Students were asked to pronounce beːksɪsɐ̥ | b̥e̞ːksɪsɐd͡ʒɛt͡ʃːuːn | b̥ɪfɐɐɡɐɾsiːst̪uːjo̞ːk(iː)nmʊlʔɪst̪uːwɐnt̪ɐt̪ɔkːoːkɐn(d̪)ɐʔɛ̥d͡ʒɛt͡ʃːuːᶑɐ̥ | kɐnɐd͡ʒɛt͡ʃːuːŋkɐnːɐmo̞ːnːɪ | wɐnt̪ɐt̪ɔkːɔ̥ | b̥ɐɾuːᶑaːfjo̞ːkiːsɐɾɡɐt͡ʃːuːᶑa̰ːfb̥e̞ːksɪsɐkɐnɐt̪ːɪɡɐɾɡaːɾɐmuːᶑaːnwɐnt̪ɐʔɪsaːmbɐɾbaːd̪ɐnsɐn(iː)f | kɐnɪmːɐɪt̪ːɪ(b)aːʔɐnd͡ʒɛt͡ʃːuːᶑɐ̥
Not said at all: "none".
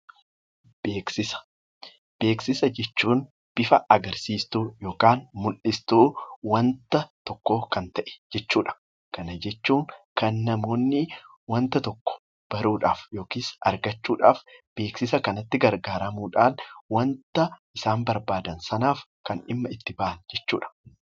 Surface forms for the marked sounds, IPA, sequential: aː, t̪, aː, b

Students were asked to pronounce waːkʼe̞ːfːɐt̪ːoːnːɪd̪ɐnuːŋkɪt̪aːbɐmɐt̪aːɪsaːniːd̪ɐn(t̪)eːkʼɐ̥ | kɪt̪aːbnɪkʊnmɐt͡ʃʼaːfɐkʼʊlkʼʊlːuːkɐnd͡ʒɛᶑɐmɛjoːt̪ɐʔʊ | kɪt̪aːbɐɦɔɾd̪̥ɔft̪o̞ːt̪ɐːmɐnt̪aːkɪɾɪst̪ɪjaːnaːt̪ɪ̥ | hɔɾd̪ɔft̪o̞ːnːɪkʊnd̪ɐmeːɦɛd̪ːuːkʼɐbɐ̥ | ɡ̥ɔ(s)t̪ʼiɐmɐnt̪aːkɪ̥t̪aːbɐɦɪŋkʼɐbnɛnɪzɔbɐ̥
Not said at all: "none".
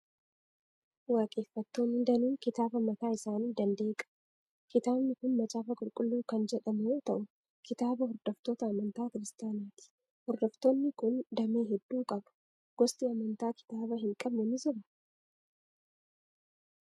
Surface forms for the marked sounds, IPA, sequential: d̪, s

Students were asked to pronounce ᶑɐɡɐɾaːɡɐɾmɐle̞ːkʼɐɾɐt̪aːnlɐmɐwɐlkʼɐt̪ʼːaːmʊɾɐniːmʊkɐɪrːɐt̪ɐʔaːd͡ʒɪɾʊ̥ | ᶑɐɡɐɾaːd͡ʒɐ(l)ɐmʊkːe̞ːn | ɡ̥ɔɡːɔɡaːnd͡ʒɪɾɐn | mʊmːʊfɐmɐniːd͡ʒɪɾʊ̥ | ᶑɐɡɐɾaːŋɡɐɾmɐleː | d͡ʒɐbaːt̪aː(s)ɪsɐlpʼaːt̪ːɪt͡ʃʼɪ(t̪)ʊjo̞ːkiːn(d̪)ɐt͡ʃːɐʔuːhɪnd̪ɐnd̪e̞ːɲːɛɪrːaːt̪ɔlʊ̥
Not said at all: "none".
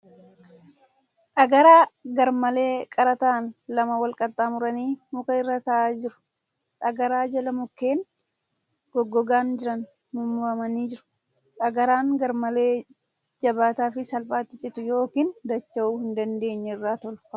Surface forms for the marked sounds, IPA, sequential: l, f, t̪, d̪

